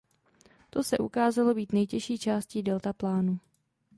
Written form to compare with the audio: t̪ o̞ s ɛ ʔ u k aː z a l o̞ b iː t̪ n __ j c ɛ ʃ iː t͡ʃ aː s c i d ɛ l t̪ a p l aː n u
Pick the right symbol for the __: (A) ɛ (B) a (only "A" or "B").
A